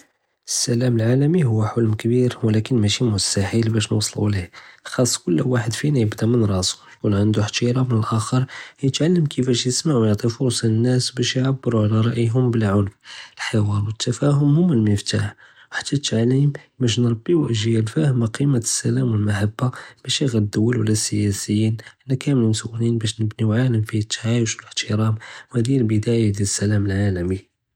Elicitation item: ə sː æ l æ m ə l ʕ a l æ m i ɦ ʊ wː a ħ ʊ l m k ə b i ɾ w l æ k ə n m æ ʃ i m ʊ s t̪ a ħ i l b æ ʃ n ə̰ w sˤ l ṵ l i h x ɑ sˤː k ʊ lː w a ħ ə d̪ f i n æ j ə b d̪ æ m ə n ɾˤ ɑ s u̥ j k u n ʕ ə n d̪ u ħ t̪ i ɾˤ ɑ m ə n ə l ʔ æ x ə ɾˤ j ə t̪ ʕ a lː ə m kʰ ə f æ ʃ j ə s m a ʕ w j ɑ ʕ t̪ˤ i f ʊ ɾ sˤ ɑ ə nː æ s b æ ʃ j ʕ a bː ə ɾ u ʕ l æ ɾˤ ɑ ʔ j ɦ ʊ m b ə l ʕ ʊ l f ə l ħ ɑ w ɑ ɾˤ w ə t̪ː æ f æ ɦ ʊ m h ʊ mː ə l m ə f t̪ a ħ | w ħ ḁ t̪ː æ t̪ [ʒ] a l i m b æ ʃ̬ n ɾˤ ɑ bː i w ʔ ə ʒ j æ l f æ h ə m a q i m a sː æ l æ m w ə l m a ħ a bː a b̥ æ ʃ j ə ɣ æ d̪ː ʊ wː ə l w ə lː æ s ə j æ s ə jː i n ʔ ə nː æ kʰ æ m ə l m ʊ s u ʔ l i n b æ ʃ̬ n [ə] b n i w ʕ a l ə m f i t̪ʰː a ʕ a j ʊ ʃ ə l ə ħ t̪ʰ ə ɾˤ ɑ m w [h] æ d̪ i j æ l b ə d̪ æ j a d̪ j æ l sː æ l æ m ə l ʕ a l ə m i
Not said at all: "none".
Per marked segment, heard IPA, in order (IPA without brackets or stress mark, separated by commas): ʕ, ə, h